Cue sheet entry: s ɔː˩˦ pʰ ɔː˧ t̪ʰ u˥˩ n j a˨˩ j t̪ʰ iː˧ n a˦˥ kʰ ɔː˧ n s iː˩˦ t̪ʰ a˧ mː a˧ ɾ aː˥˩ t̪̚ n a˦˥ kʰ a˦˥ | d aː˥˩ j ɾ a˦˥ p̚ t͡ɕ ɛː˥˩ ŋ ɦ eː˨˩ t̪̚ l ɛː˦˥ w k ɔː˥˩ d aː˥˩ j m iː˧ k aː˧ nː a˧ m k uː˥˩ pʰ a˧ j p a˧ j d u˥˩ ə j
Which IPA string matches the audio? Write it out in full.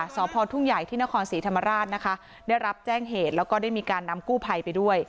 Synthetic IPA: s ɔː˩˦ pʰ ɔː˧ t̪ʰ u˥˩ ŋ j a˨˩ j t̪ʰ iː˥˩ n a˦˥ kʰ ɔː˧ n s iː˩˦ t̪ʰ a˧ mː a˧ ɾ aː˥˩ t̪̚ n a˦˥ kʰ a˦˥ | d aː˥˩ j ɾ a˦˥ p̚ t͡ɕ ɛː˥˩ ŋ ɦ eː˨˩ t̪̚ l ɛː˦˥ w k ɔː˥˩ d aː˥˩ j m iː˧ k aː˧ nː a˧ m k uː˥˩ pʰ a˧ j p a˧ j d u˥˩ ə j